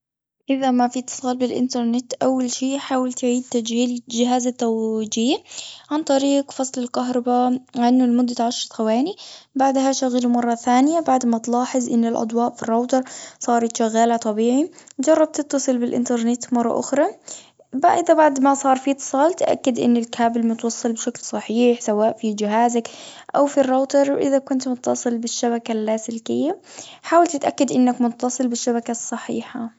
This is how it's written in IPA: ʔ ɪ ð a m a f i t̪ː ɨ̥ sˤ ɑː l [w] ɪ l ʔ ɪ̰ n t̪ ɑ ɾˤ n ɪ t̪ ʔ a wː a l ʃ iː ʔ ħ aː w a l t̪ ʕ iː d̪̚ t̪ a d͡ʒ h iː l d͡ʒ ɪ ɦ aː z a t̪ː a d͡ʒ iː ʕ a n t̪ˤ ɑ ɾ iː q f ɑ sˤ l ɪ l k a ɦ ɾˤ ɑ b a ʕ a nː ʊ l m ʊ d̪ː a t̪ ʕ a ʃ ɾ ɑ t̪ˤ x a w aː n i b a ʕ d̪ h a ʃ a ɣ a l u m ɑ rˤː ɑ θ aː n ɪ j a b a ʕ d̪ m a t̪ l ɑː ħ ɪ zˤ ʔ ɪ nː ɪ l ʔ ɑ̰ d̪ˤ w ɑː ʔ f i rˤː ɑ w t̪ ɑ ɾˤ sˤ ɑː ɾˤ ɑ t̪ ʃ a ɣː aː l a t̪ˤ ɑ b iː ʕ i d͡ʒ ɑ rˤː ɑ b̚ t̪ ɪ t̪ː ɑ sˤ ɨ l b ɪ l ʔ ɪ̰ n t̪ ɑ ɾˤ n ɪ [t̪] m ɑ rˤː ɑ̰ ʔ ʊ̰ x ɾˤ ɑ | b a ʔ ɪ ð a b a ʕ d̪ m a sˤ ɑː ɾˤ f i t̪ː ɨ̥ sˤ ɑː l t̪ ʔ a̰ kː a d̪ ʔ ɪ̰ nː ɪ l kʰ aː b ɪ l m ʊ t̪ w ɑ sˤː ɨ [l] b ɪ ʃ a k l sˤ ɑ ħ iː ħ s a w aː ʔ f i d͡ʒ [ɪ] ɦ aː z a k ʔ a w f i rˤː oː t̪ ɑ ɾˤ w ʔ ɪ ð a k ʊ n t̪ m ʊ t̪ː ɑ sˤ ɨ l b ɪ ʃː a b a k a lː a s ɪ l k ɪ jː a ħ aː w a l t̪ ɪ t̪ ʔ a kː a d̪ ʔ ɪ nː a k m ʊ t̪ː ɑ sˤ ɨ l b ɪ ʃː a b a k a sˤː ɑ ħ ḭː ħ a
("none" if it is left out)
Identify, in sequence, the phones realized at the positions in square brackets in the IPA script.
b, t̪, l, ɪ

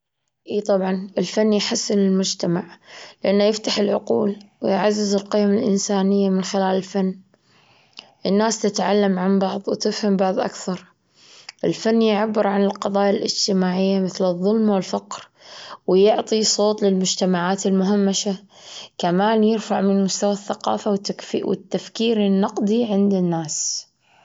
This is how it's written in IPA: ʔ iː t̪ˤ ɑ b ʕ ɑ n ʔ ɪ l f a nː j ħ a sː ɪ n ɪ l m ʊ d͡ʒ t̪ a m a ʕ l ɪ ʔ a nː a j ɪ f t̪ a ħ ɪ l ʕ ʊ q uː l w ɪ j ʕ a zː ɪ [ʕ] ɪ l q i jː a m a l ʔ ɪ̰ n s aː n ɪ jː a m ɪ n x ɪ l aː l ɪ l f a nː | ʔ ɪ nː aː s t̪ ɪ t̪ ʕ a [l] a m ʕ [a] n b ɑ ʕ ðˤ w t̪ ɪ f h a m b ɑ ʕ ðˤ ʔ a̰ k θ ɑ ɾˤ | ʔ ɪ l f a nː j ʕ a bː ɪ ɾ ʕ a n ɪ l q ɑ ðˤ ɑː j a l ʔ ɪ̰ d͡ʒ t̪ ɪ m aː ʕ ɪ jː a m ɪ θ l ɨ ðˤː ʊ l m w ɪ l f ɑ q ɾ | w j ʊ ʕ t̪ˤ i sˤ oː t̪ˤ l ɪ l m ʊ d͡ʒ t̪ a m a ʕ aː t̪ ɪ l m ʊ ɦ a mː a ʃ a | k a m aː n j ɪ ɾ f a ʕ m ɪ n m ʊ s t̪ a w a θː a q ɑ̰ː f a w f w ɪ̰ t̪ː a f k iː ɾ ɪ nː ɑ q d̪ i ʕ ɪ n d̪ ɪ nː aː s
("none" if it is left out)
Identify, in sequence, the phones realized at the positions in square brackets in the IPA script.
z, lː, a

